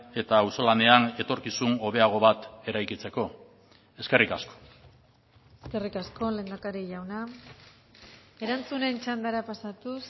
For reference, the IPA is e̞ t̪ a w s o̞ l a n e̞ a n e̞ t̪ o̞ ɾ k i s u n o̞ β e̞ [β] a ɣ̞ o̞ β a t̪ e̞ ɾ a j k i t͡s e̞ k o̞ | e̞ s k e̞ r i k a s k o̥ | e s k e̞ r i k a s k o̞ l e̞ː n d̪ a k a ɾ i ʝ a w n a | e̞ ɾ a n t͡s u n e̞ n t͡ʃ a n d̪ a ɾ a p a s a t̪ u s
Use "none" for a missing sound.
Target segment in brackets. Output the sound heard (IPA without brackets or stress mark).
none